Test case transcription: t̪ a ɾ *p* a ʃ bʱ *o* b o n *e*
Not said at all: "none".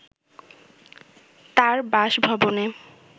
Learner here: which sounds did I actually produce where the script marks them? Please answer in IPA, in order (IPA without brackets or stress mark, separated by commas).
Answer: b, ɔ, e